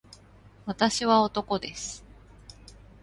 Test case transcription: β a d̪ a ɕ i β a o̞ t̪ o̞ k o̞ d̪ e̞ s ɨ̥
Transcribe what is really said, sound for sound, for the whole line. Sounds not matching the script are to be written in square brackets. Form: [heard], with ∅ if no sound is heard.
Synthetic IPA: β a [t̪] a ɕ i β a o̞ t̪ o̞ k o̞ d̪ e̞ s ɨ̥